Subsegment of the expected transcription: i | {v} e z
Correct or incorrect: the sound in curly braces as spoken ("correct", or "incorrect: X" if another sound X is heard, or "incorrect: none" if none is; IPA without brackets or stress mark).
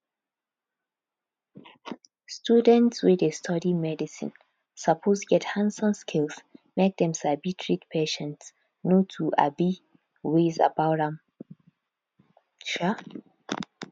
incorrect: w